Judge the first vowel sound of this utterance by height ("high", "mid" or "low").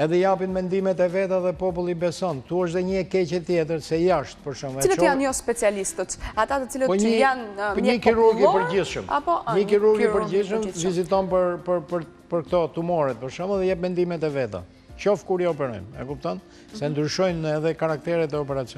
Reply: mid